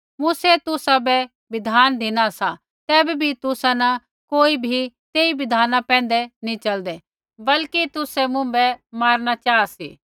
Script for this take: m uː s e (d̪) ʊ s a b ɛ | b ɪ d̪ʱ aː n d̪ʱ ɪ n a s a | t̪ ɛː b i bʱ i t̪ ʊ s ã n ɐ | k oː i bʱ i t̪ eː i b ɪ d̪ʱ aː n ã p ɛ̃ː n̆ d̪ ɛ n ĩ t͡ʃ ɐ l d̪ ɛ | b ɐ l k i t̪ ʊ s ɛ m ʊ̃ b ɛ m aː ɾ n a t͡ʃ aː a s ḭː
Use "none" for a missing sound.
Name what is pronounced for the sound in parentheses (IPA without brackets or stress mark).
t̪